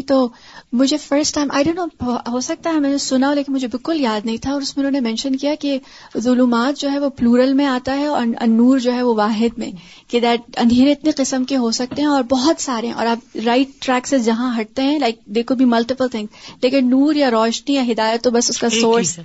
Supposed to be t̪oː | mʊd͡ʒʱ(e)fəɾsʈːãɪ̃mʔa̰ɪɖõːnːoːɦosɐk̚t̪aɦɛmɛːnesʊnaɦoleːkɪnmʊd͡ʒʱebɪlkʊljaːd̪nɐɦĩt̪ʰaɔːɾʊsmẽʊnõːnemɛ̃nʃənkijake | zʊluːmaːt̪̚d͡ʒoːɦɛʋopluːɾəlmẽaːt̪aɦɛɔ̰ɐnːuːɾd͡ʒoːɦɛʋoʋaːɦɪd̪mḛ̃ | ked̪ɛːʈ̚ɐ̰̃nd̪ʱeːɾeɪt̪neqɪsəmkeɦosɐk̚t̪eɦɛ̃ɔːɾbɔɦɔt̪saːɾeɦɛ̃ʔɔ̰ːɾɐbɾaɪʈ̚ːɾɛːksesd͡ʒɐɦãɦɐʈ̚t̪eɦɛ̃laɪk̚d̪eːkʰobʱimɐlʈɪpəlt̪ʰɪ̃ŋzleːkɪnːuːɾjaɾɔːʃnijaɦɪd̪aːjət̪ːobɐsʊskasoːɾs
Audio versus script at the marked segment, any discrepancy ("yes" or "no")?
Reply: no